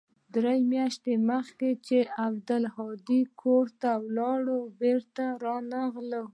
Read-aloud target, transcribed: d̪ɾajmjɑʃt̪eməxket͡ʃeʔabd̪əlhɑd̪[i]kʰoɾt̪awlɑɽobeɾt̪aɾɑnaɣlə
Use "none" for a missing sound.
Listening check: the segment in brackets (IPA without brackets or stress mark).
i